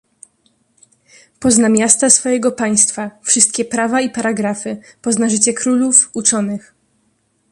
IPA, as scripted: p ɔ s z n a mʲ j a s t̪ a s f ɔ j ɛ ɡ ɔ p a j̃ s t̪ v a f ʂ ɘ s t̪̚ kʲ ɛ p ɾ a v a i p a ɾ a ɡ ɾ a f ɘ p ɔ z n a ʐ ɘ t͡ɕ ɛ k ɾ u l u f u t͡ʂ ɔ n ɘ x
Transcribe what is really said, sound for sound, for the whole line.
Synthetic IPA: p ɔ z n a mʲ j a s t̪ a s f ɔ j ɛ ɡ ɔ p a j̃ s t̪ f a f ʂ ɘ s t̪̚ kʲ ɛ p ɾ a v a i p a ɾ a ɡ ɾ a f ɘ p ɔ z n a ʐ ɘ t͡ɕ ɛ k ɾ u l u f u t͡ʂ ɔ n ɘ x